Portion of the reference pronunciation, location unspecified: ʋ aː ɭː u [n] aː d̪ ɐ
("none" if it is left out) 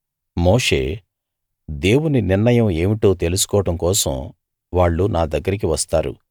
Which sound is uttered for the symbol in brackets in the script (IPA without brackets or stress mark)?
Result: n